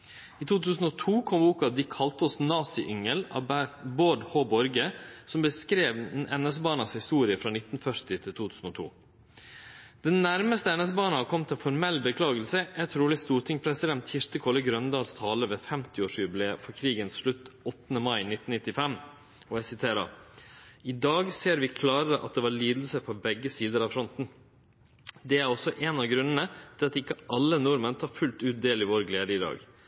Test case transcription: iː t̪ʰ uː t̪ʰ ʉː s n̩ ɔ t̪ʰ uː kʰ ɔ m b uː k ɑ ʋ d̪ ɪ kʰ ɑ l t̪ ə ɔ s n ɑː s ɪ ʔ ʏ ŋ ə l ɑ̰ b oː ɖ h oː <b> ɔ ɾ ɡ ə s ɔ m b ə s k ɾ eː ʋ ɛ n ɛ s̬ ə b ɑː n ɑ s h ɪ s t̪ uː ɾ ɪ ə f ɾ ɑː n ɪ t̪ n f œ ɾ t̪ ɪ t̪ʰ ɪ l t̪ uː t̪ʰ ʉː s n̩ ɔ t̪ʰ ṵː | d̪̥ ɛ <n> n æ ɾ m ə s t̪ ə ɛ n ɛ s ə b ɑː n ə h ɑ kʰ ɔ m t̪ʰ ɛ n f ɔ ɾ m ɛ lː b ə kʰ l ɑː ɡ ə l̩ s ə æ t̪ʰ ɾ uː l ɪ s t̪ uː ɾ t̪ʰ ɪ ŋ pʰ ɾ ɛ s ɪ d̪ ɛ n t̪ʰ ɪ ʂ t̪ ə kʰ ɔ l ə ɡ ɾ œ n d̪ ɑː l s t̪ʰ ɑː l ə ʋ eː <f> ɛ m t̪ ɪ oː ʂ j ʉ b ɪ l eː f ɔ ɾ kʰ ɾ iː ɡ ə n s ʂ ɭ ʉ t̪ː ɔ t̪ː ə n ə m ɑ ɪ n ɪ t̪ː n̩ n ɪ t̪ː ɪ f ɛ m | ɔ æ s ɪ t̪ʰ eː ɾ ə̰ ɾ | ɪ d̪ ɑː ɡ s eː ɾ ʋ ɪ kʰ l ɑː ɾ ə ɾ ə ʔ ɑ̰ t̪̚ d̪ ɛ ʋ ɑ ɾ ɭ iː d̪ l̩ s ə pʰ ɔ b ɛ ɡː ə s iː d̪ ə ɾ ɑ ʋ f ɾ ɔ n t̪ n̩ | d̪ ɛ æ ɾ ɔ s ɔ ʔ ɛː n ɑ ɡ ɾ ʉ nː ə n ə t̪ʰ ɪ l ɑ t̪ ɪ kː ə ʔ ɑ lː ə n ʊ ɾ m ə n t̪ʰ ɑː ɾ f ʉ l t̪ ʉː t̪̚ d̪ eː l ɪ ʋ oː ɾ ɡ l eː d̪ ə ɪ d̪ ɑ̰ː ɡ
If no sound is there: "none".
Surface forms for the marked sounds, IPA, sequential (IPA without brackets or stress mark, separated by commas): b, n, f